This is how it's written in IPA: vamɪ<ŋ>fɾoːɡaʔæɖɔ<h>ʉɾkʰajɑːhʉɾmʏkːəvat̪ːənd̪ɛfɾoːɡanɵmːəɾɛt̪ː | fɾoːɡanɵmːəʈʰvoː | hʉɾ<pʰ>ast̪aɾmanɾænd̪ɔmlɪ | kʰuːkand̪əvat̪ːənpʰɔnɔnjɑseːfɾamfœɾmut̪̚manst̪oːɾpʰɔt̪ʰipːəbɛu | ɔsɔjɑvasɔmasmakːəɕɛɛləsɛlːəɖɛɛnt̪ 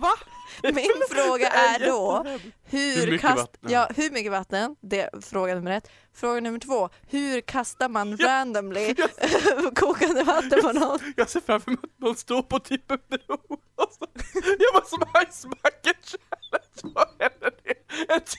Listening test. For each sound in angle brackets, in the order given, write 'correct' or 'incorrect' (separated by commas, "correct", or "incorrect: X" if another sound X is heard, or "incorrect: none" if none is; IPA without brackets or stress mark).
incorrect: n, correct, incorrect: kʰ